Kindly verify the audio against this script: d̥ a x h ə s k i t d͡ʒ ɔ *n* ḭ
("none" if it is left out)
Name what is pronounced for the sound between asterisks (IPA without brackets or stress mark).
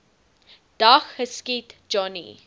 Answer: n